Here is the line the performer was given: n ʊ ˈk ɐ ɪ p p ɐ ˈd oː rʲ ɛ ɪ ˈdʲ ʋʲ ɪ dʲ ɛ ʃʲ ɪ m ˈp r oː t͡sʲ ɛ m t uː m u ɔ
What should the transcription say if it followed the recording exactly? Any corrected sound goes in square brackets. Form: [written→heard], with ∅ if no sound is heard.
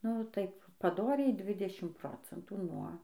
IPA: n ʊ [ˈk→ˈt] ɐ ɪ p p ɐ ˈd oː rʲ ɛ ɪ ˈdʲ ʋʲ ɪ dʲ ɛ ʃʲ ɪ m ˈp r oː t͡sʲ ɛ [m→n] t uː [m→n] u ɔ